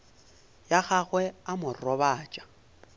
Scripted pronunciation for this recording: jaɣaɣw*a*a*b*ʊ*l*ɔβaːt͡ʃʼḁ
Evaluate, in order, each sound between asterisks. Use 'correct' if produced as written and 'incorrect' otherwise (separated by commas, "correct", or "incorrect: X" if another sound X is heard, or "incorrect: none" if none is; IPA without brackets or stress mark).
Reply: incorrect: ɛ, incorrect: m, incorrect: r